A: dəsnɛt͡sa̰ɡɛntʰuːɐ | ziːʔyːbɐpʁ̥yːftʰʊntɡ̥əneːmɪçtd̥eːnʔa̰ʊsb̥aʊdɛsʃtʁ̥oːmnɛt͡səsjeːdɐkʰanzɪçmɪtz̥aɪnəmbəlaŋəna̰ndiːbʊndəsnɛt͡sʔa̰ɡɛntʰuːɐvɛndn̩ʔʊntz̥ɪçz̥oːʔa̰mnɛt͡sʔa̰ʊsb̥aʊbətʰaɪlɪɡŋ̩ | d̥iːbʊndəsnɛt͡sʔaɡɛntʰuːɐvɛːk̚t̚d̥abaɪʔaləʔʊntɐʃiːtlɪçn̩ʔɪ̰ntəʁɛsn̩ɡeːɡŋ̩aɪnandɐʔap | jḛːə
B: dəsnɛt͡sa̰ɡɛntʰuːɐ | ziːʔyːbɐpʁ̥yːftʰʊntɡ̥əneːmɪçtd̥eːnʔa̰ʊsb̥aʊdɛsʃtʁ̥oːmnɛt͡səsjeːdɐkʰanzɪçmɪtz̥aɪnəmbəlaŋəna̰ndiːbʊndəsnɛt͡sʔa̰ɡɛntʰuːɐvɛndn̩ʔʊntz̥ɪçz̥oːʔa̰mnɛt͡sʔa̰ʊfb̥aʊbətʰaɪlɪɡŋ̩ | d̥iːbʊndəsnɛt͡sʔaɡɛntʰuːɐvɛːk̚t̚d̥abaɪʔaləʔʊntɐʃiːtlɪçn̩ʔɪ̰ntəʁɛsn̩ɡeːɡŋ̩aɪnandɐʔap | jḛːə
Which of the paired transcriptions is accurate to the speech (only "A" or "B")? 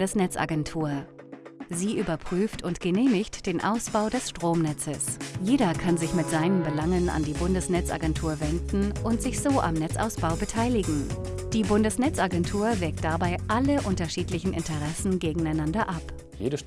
A